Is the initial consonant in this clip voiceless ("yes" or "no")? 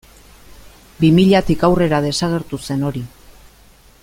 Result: no